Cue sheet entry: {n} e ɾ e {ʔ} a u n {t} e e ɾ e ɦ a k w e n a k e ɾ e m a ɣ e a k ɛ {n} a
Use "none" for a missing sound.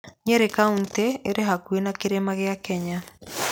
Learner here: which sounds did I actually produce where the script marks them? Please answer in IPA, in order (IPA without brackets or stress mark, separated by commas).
ɲ, k, t, ɲ